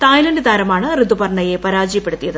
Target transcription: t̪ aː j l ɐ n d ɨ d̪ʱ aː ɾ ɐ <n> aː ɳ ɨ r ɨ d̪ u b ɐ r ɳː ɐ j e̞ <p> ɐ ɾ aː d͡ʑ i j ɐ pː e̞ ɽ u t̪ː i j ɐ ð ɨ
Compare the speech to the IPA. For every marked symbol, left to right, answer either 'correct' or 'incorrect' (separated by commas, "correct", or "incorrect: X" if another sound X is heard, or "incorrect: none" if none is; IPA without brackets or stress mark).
incorrect: m, correct